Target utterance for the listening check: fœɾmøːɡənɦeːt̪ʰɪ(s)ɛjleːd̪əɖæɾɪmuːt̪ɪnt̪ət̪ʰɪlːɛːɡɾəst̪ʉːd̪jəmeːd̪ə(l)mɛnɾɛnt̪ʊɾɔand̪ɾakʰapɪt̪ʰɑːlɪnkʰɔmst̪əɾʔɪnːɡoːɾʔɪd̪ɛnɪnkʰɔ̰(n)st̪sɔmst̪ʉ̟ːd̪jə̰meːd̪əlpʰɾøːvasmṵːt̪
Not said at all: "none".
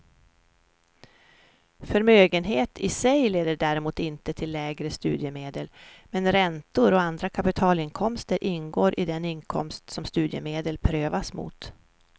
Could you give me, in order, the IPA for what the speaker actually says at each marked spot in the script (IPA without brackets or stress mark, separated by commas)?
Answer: s, l, m